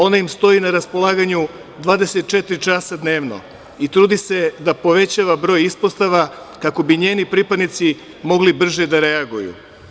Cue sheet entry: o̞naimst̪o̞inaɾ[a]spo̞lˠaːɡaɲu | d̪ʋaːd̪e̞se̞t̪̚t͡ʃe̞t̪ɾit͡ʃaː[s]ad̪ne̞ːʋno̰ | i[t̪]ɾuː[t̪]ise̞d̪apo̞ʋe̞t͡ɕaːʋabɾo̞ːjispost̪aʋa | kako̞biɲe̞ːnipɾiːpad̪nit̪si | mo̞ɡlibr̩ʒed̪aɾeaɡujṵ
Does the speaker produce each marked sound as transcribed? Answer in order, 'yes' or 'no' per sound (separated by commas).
yes, yes, yes, no